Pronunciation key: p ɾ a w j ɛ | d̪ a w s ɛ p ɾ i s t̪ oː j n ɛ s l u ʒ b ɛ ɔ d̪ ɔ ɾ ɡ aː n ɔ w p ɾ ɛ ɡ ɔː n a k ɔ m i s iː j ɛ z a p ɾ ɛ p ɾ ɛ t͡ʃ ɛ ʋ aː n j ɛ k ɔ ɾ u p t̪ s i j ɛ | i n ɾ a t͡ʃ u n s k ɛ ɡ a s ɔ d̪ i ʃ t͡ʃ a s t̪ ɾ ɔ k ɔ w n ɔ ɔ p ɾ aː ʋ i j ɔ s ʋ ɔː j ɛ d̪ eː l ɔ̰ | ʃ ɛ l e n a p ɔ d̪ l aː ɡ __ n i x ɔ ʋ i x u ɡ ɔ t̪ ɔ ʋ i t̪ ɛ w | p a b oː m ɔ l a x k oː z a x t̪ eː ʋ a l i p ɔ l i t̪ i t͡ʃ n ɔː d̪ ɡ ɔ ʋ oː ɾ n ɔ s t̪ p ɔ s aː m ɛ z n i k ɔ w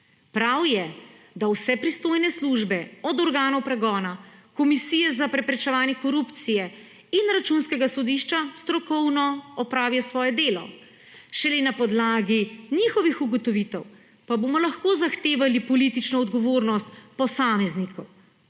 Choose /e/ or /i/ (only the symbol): i